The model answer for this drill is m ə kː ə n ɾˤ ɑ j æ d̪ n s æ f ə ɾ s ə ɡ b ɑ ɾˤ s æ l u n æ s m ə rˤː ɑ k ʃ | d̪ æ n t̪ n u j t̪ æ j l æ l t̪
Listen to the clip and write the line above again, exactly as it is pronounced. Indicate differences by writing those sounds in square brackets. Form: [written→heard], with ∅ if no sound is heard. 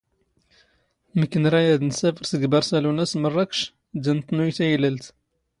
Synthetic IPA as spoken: m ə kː ə n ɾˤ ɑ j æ d̪ n s æ f ə ɾ s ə ɡ b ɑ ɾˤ s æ l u n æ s m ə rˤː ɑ k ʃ | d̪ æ n t̪ n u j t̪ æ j l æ l t̪